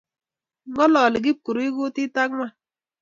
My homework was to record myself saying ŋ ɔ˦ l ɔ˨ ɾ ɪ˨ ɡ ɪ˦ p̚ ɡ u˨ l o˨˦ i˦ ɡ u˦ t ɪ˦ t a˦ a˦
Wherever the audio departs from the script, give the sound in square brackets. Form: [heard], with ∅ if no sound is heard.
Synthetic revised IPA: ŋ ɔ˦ l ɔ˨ [l] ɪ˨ ɡ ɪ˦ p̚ [k] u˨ [ɾ] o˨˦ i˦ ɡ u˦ t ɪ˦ t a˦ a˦